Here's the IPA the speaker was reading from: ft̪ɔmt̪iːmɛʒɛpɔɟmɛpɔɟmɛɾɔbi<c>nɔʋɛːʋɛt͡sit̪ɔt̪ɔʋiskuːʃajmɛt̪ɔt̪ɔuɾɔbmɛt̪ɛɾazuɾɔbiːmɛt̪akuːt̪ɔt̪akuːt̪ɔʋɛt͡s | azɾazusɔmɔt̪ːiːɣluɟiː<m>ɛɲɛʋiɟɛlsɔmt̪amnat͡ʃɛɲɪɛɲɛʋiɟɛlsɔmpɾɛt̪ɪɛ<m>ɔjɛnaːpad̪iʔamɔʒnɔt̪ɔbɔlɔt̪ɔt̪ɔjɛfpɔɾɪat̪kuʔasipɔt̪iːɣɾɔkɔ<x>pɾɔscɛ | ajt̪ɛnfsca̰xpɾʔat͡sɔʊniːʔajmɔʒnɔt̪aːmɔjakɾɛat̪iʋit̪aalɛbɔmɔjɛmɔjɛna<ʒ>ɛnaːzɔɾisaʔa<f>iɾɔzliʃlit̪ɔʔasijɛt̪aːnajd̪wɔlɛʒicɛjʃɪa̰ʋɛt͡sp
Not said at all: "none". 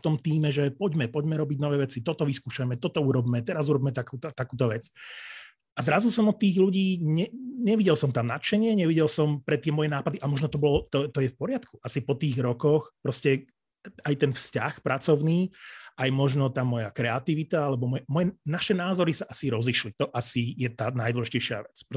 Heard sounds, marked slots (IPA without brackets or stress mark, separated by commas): ɟ, ɲ, m, x, ʃ, s